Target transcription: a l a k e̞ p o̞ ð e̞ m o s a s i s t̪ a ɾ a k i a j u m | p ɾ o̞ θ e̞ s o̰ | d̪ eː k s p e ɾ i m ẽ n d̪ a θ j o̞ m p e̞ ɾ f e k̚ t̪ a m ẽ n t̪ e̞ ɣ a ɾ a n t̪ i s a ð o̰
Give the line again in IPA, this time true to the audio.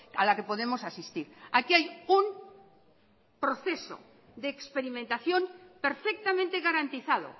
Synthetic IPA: a l a k e̞ p o̞ ð e̞ m o s a s i s t̪ i ɾ a k i a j u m | p ɾ o̞ θ e̞ s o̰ | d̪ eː k s p e ɾ i m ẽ n t̪ a θ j o̞ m p e̞ ɾ f e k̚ t̪ a m ẽ n t̪ e̞ ɣ a ɾ a n t̪ i θ a ð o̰